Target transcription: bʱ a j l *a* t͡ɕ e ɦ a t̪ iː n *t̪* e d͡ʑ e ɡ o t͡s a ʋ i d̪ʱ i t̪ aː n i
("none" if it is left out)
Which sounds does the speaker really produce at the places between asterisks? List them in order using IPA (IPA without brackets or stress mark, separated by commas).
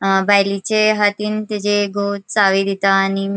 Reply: i, t̪